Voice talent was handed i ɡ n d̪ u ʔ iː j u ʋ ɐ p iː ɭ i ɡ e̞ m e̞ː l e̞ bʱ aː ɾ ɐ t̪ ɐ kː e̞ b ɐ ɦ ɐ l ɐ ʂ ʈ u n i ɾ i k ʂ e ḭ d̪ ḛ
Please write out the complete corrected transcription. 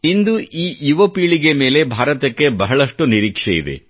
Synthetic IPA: i n d̪ u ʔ iː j u ʋ ɐ p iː ɭ i ɡ e̞ m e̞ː l e̞ bʱ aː ɾ ɐ t̪ ɐ kː e̞ b ɐ ɦ ɐ ɭ ɐ ʂ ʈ u n i ɾ iː k ʂ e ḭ d̪ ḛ

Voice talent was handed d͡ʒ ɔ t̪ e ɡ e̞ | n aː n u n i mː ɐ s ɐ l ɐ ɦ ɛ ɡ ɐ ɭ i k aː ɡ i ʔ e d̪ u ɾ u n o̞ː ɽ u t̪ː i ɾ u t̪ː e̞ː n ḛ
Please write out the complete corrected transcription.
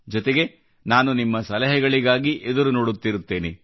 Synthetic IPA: d͡ʒ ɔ t̪ e ɡ e̞ | n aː n u n i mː ɐ s ɐ l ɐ ɦ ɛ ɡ ɐ ɭ i ɡ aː ɡ i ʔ e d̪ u ɾ u n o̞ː ɽ u t̪ː i ɾ u t̪ː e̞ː n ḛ

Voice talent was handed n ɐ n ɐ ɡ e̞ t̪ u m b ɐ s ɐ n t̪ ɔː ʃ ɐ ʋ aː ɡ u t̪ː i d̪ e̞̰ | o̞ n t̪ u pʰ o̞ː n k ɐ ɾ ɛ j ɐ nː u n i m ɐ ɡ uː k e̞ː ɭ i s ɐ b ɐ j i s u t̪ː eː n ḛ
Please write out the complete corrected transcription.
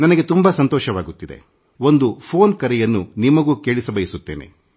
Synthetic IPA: n ɐ n ɐ ɡ e̞ t̪ u m b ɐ s ɐ n t̪ ɔː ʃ ɐ ʋ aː ɡ u t̪ː i d̪ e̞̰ | o̞ n d̪ u pʰ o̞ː n k ɐ ɾ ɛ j ɐ nː u n i m ɐ ɡ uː k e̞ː ɭ i s ɐ b ɐ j i s u t̪ː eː n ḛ

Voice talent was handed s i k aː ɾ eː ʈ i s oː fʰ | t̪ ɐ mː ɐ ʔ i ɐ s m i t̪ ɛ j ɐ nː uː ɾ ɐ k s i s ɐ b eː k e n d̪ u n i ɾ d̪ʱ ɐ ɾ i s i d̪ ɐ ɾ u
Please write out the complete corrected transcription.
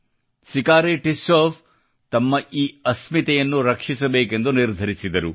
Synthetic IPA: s i k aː ɾ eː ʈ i s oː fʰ | t̪ ɐ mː ɐ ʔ iː ɐ s m i t̪ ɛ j ɐ nː u ɾ ɐ k ʂ i s ɐ b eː k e n d̪ u n i ɾ d̪ʱ ɐ ɾ i s i d̪ ɐ ɾ u

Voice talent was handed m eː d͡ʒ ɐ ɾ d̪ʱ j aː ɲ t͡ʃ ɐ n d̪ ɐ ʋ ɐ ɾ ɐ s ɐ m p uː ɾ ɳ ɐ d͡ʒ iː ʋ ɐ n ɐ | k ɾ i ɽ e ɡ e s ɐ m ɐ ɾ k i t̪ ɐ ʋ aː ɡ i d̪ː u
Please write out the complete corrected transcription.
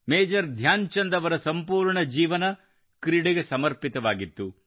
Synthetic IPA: m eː d͡ʒ ɐ ɾ d̪ʱ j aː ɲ t͡ʃ ɐ n d̪ ɐ ʋ ɐ ɾ ɐ s ɐ m p uː ɾ ɳ ɐ d͡ʒ iː ʋ ɐ n ɐ | k ɾ i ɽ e ɡ e s ɐ m ɐ ɾ p i t̪ ɐ ʋ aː ɡ i t̪ː u

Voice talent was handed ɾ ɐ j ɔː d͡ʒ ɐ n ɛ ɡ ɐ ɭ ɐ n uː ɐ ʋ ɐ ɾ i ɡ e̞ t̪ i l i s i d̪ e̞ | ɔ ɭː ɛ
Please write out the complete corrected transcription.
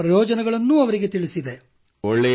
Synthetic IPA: ɾ ɐ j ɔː d͡ʒ ɐ n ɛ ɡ ɐ ɭ ɐ nː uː ɐ ʋ ɐ ɾ i ɡ e̞ t̪ i ɭ i s i d̪ e̞ | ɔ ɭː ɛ

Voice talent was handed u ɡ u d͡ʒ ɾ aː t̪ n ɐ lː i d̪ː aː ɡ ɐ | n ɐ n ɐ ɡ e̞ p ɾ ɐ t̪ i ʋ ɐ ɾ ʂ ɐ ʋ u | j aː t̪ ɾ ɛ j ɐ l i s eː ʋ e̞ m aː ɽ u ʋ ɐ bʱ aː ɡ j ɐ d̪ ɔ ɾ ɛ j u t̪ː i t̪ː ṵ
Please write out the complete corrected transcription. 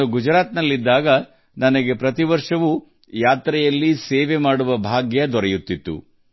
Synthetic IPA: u ɡ u d͡ʒ ɾ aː t̪ n ɐ lː i d̪ː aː ɡ ɐ | n ɐ n ɐ ɡ e̞ p ɾ ɐ t̪ i ʋ ɐ ɾ ʂ ɐ ʋ u | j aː t̪ ɾ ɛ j ɐ lː i s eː ʋ e̞ m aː ɽ u ʋ ɐ bʱ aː ɡ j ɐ d̪ ɔ ɾ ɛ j u t̪ː i t̪ː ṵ

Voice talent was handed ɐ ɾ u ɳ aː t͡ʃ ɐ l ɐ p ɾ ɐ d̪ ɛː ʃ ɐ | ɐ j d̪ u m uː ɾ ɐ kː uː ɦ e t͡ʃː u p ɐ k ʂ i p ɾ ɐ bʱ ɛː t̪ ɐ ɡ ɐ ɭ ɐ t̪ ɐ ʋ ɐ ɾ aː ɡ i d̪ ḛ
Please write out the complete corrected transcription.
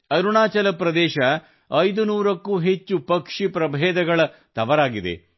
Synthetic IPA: ɐ ɾ u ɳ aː t͡ʃ ɐ l ɐ p ɾ ɐ d̪ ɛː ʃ ɐ | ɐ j d̪ u n uː ɾ ɐ kː uː ɦ e t͡ʃː u p ɐ k ʂ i p ɾ ɐ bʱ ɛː d̪ ɐ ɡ ɐ ɭ ɐ t̪ ɐ ʋ ɐ ɾ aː ɡ i d̪ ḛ

